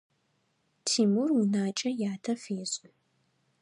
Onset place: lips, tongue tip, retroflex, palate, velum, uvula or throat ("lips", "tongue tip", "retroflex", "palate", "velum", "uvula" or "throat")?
tongue tip